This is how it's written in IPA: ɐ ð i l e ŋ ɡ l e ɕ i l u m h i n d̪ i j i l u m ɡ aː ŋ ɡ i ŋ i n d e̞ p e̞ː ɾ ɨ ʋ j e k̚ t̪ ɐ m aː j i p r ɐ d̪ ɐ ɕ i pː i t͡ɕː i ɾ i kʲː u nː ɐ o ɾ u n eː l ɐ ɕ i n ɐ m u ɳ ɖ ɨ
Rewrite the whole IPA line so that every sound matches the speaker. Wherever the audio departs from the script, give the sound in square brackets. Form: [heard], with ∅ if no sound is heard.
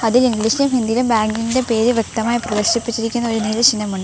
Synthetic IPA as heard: ɐ ð i l [i] ŋ ɡ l [i] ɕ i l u m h i n d̪ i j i l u m [b] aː ŋ ɡ i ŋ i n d e̞ p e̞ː ɾ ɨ ʋ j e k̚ t̪ ɐ m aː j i p r ɐ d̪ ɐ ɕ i pː i t͡ɕː i ɾ i kʲː u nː ɐ o ɾ u n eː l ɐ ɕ i n ɐ m u ɳ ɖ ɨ